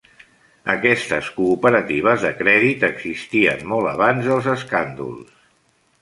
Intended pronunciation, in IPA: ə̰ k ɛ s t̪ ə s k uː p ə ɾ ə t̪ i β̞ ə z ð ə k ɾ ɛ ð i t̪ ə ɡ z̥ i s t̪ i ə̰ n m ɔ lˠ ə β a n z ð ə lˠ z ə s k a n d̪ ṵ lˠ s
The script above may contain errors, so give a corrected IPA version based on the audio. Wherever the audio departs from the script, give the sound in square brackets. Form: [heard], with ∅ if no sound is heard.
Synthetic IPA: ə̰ k ɛ s t̪ ə s k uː p ə ɾ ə t̪ i β̞ ə z ð ə k ɾ ɛ ð i t̪ ə ɡ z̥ i s t̪ i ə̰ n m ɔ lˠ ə β a n z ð ə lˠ z ə s k a n d̪ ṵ lˠ s